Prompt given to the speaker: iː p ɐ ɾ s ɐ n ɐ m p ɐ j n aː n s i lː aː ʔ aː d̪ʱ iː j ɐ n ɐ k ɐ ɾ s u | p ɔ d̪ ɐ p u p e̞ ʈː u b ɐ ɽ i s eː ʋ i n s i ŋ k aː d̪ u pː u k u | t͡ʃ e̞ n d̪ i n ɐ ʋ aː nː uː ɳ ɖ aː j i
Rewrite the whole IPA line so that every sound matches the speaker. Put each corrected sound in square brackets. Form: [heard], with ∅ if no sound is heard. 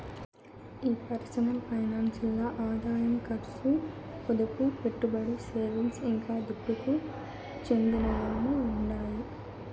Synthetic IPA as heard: iː p ɐ ɾ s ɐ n ɐ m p ɐ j n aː n s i lː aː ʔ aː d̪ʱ [aː] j ɐ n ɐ k ɐ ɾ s u | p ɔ d̪ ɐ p u p e̞ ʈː u b ɐ ɽ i s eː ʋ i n s i ŋ k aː d̪ u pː u k u | t͡ʃ e̞ n d̪ i n ɐ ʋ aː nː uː ɳ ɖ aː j i